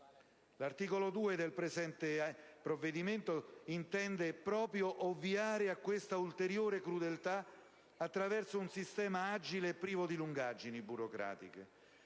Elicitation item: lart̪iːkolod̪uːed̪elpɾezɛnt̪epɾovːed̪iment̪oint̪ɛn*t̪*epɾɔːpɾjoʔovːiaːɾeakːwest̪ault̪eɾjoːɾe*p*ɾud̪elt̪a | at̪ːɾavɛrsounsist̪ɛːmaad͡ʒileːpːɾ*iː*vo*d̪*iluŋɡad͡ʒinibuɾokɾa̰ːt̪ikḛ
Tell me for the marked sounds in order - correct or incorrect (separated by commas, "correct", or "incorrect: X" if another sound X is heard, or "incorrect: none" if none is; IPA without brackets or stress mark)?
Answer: incorrect: d̪, incorrect: k, correct, correct